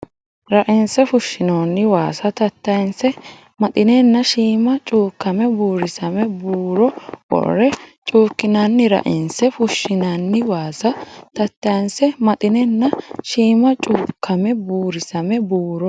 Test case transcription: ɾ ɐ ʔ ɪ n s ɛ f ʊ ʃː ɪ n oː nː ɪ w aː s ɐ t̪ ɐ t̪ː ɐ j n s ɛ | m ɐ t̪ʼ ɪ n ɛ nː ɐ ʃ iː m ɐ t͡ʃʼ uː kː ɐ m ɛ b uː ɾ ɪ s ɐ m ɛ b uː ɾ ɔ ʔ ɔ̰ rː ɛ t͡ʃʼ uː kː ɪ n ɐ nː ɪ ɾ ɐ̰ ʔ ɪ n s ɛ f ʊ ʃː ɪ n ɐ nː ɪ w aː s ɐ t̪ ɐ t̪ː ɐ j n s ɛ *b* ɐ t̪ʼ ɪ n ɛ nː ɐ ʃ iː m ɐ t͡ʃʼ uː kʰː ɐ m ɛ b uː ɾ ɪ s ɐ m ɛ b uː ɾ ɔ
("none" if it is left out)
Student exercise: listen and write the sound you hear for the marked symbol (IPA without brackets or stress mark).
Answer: m